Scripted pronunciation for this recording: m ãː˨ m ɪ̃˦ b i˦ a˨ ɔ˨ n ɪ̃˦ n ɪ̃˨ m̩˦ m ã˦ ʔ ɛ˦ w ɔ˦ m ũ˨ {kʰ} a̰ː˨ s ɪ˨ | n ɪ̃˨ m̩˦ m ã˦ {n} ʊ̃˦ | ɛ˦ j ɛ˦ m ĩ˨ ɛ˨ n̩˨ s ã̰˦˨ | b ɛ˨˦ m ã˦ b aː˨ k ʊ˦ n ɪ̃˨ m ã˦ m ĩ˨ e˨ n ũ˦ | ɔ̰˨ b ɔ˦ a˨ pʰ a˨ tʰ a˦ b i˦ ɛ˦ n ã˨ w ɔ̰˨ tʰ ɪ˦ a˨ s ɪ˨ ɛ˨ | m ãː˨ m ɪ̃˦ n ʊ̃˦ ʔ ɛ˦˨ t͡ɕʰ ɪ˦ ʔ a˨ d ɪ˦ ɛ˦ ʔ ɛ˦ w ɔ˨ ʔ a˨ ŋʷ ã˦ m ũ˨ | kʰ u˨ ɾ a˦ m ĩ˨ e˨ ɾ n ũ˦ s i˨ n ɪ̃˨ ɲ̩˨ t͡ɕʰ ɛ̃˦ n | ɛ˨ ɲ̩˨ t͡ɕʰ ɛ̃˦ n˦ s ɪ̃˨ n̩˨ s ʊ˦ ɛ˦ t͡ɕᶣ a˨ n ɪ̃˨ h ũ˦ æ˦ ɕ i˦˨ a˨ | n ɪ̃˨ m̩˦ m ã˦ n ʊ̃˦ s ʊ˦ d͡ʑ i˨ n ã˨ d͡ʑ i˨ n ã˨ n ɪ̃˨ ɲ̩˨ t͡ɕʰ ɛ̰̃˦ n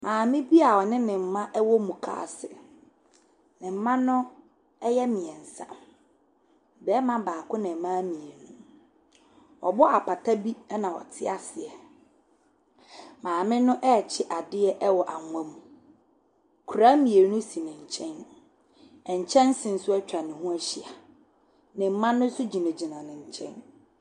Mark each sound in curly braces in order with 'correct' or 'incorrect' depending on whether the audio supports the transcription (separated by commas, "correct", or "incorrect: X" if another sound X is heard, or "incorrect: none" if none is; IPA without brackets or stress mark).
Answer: correct, correct